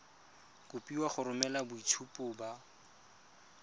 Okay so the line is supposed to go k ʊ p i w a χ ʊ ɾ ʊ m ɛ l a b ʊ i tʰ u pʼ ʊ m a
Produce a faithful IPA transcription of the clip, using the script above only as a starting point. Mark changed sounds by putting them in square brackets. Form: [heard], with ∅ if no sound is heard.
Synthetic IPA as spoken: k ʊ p i w a χ ʊ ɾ ʊ m ɛ l a b ʊ i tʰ u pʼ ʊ [b] a